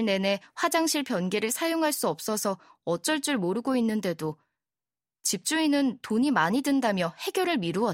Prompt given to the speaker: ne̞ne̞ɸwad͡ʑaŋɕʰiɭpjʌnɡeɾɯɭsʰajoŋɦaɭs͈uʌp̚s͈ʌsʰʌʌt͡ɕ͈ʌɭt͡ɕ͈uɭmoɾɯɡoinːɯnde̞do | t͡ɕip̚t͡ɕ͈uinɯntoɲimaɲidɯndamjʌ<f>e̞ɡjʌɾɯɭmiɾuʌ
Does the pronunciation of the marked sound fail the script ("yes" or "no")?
yes